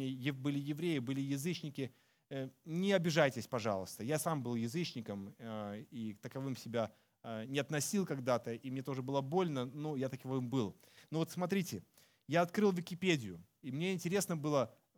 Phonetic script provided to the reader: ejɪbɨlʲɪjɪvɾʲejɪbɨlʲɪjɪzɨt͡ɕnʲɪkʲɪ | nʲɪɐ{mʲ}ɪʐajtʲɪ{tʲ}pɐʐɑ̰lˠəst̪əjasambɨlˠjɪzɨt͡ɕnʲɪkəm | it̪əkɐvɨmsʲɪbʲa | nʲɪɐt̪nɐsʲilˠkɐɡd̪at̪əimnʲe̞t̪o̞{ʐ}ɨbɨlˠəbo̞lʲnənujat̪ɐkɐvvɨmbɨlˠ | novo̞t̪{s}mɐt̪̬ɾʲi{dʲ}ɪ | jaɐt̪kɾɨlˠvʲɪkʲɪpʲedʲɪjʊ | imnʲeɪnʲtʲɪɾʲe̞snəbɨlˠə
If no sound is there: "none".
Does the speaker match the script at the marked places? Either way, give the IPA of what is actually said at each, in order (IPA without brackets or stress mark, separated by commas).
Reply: bʲ, sʲ, ʐ, s, tʲ